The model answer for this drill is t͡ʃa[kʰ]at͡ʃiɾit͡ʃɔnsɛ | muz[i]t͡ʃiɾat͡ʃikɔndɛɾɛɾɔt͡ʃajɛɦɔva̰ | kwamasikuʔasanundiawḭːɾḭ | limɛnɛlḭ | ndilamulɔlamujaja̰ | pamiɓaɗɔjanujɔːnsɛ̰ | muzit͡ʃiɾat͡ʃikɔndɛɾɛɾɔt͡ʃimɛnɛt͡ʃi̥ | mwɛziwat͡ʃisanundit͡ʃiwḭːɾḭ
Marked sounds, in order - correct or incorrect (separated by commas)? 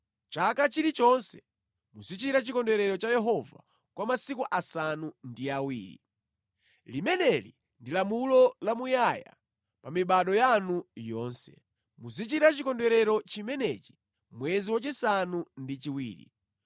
incorrect, correct